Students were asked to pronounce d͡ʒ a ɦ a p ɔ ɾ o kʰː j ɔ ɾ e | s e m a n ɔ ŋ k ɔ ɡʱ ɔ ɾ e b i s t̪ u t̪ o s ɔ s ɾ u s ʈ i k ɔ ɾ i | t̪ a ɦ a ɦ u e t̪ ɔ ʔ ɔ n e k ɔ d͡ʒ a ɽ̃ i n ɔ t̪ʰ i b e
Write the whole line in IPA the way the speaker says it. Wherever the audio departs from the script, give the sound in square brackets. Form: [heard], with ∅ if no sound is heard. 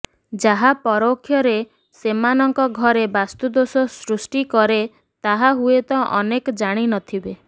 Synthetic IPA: d͡ʒ a ɦ a p ɔ ɾ o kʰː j ɔ ɾ e | s e m a n ɔ ŋ k ɔ ɡʱ ɔ ɾ e b [a] s t̪ u [d̪] o s ɔ s ɾ u s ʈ i k ɔ ɾ [e] | t̪ a ɦ a ɦ u e t̪ ɔ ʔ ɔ n e k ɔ d͡ʒ a ɽ̃ i n ɔ t̪ʰ i b e